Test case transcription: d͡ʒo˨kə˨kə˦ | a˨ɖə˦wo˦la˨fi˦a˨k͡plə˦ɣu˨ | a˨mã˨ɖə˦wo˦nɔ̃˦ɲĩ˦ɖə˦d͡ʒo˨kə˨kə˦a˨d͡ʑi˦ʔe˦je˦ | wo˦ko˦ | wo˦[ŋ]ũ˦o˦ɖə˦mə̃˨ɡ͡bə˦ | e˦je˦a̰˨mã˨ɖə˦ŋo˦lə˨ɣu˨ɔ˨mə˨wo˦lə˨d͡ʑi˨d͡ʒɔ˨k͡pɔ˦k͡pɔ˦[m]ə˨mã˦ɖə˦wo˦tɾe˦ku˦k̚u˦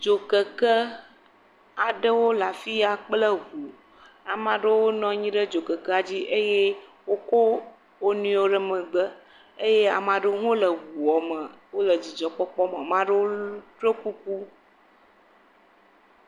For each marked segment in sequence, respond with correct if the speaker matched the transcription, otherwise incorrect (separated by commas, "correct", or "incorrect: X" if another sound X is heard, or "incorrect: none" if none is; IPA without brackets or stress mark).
incorrect: n, correct